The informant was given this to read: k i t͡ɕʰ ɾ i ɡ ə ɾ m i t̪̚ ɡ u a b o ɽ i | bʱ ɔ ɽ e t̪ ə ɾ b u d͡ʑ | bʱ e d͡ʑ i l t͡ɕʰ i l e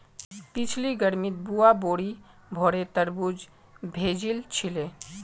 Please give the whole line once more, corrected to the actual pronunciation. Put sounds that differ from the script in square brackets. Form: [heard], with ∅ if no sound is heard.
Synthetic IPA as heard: [p] i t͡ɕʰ [l] i ɡ ə ɾ m i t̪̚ [b] u a b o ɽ i | bʱ ɔ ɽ e t̪ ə ɾ b u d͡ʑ | bʱ e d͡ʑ i l t͡ɕʰ i l e

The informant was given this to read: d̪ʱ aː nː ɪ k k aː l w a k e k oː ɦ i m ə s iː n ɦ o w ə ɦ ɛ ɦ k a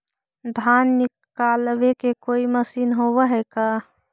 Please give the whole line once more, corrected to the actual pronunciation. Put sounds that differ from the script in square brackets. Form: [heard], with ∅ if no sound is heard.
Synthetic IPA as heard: d̪ʱ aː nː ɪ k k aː l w [e] k e k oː [∅] i m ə s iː n ɦ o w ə ɦ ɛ [∅] k a

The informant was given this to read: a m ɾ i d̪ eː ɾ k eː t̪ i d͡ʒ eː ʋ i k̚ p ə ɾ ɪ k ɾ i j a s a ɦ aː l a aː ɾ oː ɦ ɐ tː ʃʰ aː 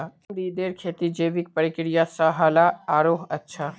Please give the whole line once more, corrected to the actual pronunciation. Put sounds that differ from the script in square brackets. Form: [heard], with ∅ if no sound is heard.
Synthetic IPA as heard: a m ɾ i d̪ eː ɾ [kʰ] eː t̪ i d͡ʒ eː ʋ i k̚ p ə ɾ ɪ k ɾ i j a s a ɦ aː l a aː ɾ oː ɦ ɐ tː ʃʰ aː

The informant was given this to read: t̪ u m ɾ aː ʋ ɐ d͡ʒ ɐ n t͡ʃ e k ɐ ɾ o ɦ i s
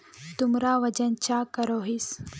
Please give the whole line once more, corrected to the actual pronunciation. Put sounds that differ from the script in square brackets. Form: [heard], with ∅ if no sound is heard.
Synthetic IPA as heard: t̪ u m ɾ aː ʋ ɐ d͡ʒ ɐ n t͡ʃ [a] k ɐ ɾ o ɦ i s

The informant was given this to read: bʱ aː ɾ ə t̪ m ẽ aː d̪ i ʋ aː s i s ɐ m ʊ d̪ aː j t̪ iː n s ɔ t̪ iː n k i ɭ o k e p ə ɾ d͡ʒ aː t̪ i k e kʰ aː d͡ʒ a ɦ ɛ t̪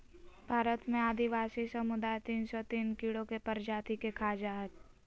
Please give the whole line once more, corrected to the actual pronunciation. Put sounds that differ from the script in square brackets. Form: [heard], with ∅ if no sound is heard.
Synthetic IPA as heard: bʱ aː ɾ ə t̪ m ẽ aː d̪ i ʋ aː s i s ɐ m ʊ d̪ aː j t̪ iː n s ɔ t̪ iː n k i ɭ o k e p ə ɾ d͡ʒ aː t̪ i k e kʰ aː d͡ʒ a ɦ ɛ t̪

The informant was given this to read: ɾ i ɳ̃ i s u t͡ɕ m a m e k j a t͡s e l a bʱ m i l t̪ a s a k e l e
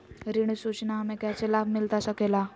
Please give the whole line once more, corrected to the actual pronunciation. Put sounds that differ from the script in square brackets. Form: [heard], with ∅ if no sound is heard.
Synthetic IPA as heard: ɾ i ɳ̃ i s u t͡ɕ [n] a m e k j a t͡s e l a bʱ m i l t̪ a s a k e l [a]

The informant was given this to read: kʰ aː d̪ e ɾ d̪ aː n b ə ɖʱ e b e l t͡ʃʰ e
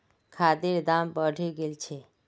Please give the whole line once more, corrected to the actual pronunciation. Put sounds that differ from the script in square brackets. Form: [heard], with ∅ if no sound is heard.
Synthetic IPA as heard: kʰ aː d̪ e ɾ d̪ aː [m] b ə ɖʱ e [ɡ] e l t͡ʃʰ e

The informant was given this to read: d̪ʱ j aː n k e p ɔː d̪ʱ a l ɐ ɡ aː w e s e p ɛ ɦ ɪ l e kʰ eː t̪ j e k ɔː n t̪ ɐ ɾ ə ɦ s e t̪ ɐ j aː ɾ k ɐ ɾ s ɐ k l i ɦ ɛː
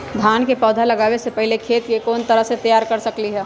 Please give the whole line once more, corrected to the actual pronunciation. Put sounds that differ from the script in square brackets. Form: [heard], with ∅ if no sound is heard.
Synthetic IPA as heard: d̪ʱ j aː n k e p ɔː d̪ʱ a l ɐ ɡ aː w e s e p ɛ ɦ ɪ l e kʰ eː t̪ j e k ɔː n t̪ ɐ ɾ ə ɦ s e t̪ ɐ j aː ɾ k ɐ ɾ s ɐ k l i ɦ ɛː

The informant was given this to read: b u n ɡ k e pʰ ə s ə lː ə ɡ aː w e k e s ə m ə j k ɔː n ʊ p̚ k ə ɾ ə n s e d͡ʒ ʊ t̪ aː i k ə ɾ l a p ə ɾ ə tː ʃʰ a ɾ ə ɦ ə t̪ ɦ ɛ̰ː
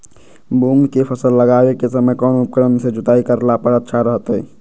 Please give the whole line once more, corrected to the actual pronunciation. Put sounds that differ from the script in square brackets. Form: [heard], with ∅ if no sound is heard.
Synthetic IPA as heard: b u [ŋ] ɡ k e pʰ ə s ə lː ə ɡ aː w e k e s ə m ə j k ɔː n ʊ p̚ k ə ɾ ə n s e d͡ʒ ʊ t̪ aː i k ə ɾ l a p ə ɾ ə tː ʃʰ a ɾ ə ɦ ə t̪ ɦ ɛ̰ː

